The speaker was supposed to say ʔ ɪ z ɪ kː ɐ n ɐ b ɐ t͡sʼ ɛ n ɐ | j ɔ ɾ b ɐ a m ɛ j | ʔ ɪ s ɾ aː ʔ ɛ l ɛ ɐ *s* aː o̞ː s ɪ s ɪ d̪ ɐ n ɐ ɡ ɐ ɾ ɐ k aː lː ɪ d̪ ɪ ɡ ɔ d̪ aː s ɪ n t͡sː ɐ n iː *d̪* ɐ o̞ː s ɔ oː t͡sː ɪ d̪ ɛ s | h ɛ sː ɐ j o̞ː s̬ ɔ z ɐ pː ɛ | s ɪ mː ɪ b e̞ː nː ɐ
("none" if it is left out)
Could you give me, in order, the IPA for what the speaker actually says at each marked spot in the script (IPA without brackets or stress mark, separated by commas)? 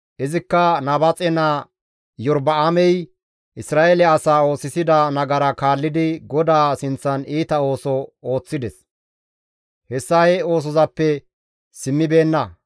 s, t̪